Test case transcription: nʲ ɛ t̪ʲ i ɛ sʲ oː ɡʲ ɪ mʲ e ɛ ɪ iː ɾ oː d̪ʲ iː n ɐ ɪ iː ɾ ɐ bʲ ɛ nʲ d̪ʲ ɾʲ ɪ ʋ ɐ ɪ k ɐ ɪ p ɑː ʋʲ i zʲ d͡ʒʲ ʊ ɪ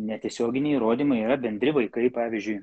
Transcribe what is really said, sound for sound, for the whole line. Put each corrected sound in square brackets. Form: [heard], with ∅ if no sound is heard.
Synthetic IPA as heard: nʲ ɛ t̪ʲ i ɛ sʲ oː ɡʲ ɪ [nʲ] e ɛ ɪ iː ɾ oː d̪ʲ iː [m] ɐ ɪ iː ɾ ɐ bʲ ɛ nʲ d̪ʲ ɾʲ ɪ ʋ ɐ ɪ k ɐ ɪ p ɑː ʋʲ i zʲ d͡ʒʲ ʊ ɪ